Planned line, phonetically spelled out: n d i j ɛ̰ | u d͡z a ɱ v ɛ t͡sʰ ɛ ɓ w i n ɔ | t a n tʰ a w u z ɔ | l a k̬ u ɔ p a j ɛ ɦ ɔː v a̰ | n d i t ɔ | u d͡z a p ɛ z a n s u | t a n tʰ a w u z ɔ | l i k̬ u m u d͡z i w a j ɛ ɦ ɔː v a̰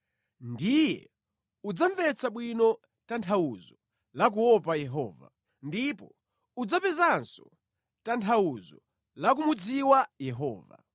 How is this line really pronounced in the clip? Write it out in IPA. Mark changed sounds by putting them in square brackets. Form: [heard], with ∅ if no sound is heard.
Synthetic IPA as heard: n d i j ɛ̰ | u d͡z a ɱ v ɛ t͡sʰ [a] ɓ w i n ɔ | t a n tʰ a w u z ɔ | l a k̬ u ɔ p a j ɛ ɦ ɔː v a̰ | n d i [p] ɔ | u d͡z a p ɛ z a n s [ɔ] | t a n tʰ a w u z ɔ | l [a] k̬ u m u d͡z i w a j ɛ ɦ ɔː v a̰